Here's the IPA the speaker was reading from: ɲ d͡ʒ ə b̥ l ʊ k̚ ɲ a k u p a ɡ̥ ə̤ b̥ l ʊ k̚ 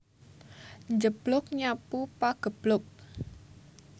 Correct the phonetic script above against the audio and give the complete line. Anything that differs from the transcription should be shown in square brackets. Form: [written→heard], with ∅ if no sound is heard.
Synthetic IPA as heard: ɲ d͡ʒ ə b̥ l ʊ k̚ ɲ a [k→p] u p a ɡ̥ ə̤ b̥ l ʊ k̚